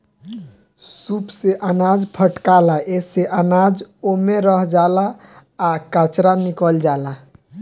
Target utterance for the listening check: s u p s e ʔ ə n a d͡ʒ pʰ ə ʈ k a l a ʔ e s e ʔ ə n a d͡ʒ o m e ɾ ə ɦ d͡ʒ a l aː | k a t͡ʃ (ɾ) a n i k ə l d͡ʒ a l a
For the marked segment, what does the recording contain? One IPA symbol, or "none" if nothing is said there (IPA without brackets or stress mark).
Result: ɾ